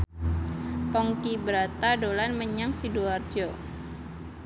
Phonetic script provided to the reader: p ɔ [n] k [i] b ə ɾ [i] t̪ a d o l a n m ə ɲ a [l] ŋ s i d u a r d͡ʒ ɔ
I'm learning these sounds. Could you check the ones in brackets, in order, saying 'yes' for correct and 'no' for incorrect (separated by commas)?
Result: no, yes, no, no